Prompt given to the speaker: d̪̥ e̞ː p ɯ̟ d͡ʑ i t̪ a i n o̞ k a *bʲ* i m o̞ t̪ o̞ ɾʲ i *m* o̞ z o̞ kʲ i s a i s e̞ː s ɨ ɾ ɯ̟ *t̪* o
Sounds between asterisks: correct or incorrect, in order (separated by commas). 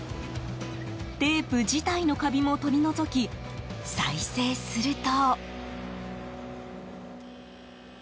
correct, incorrect, correct